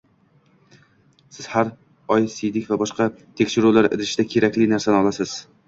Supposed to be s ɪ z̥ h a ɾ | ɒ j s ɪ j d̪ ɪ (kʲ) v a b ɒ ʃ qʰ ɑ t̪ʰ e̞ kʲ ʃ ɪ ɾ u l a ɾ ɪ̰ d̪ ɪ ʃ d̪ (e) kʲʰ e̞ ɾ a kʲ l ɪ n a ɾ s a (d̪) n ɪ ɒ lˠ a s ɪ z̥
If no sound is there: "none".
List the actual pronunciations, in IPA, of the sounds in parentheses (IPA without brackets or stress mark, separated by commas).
kʲ, a, none